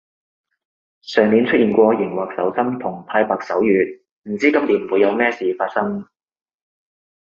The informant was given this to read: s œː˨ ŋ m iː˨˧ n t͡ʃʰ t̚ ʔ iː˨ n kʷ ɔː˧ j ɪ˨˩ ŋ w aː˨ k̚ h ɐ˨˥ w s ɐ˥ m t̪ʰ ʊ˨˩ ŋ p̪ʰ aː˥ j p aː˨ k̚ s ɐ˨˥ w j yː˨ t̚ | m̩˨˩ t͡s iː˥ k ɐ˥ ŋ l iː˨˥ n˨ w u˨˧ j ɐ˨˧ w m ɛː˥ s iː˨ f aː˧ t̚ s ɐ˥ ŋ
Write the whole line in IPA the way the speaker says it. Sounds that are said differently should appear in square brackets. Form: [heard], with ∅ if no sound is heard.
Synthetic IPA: s œː˨ ŋ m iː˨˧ n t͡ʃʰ t̚ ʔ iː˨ n kʷ ɔː˧ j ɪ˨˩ ŋ w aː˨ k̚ [s] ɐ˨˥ w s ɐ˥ m t̪ʰ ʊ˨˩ ŋ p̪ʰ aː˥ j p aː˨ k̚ s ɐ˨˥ w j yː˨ t̚ | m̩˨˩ t͡s iː˥ k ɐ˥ [m] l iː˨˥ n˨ w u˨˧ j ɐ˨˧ w m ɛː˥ s iː˨ f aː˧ t̚ s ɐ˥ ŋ

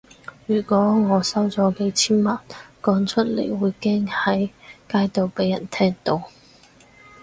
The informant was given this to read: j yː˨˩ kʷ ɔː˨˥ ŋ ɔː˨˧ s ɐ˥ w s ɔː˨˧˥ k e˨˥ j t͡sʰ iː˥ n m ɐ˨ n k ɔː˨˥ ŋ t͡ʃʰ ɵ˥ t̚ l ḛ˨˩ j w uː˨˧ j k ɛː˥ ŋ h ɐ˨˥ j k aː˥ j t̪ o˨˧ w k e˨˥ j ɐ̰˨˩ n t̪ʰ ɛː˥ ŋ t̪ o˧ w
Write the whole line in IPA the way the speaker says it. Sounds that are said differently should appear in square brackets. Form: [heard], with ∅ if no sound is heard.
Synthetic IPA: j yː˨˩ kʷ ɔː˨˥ ŋ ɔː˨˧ s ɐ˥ w [t͡s] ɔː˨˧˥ k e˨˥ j t͡sʰ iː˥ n m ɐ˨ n k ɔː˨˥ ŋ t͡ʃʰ ɵ˥ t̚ l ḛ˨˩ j w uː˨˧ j k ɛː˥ ŋ h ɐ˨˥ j k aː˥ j t̪ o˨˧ w [p] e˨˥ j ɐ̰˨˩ n t̪ʰ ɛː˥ ŋ t̪ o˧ w

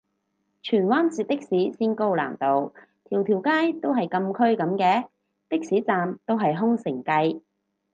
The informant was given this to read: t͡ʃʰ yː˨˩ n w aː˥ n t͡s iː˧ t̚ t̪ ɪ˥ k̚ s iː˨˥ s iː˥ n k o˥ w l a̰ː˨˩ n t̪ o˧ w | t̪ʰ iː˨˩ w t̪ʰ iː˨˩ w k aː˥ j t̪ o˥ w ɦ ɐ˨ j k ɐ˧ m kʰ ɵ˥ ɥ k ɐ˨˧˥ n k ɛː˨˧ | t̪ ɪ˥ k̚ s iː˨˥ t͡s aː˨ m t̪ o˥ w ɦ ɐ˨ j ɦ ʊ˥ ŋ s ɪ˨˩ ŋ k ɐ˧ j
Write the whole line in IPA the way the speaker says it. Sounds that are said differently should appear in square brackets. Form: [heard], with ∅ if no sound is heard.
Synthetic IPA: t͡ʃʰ yː˨˩ n w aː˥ n t͡s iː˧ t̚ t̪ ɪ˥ k̚ s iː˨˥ s iː˥ n k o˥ w l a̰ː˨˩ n t̪ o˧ w | t̪ʰ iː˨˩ w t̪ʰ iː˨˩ w k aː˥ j t̪ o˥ w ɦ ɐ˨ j k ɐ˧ m kʰ ɵ˥ ɥ k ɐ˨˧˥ [m] k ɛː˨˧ | t̪ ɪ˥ k̚ s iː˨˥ t͡s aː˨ m t̪ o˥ w ɦ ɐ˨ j ɦ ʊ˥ ŋ s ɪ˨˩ ŋ k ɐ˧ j

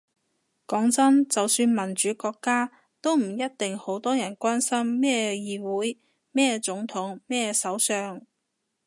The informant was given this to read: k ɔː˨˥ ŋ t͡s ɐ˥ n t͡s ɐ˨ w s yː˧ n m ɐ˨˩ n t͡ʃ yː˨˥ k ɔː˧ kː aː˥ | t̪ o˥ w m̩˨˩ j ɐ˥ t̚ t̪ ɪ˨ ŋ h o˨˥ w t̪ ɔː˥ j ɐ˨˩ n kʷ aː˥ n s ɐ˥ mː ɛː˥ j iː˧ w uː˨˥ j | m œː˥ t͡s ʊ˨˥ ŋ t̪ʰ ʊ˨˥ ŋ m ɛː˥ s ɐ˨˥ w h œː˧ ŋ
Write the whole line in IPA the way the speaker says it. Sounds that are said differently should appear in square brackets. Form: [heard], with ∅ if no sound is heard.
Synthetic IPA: k ɔː˨˥ ŋ t͡s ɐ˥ n t͡s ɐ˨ w s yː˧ n m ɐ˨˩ n t͡ʃ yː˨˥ k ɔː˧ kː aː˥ | t̪ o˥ w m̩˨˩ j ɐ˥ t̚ t̪ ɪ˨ ŋ h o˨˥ w t̪ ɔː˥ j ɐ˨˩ n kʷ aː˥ n s ɐ˥ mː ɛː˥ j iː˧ w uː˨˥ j | m [ɛː˥] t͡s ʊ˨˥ ŋ t̪ʰ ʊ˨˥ ŋ m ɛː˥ s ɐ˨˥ w [s] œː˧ ŋ

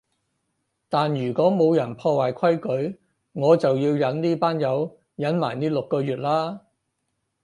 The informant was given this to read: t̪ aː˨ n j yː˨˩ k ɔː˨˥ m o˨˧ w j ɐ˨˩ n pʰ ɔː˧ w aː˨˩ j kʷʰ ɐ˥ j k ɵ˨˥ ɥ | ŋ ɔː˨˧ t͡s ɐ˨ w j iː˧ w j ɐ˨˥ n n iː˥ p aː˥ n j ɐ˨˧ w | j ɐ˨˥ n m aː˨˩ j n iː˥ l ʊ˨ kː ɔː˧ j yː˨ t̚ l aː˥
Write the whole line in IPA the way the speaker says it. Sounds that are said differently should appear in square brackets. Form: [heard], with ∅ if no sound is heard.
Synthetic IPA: t̪ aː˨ n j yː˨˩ k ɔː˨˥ m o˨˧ w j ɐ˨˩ n pʰ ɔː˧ w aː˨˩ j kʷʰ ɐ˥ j k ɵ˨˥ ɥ | ŋ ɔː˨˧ t͡s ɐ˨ w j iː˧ w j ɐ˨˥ n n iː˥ p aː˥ n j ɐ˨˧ w | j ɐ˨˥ n m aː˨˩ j n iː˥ l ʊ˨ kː ɔː˧ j yː˨ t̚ l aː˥

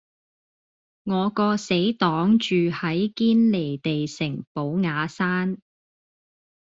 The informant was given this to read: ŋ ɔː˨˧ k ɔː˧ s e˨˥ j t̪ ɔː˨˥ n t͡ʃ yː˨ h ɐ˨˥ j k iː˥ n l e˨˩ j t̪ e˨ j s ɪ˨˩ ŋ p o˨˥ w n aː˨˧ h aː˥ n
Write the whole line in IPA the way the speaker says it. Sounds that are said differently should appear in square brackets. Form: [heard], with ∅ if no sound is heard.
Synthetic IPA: ŋ ɔː˨˧ k ɔː˧ s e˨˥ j t̪ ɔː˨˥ [ŋ] t͡ʃ yː˨ h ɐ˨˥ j k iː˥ n l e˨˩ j t̪ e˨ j s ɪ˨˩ ŋ p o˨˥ w [ŋ] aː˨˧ [s] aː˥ n

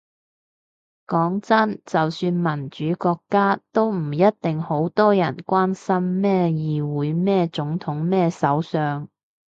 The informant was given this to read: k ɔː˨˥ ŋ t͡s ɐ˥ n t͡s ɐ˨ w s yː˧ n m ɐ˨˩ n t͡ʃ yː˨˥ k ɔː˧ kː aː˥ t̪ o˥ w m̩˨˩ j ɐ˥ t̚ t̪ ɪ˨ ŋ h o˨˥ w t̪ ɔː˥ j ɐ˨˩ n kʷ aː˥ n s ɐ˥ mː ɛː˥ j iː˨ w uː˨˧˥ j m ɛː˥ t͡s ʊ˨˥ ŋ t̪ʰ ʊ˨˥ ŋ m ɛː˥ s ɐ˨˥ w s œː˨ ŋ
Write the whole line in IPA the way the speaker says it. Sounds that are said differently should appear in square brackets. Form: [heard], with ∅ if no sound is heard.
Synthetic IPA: k ɔː˨˥ ŋ t͡s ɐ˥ n t͡s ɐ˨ w s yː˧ n m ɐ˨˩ n t͡ʃ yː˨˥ k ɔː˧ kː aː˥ t̪ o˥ w m̩˨˩ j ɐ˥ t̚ t̪ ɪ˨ ŋ h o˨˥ w t̪ ɔː˥ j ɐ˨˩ n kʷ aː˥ n s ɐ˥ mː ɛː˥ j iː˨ w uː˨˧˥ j m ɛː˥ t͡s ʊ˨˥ ŋ t̪ʰ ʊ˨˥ ŋ m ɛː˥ s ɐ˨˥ w s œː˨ ŋ

